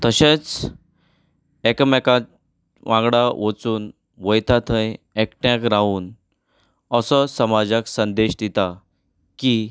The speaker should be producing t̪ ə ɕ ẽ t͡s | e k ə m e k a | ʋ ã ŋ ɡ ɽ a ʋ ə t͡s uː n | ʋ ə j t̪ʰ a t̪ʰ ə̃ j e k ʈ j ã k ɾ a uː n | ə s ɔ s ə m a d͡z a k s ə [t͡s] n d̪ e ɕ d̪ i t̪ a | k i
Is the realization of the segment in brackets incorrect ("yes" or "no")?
yes